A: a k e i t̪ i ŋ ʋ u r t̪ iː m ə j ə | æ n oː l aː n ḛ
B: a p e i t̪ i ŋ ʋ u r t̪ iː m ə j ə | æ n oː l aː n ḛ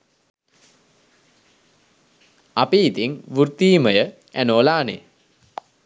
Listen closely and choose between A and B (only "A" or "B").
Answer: B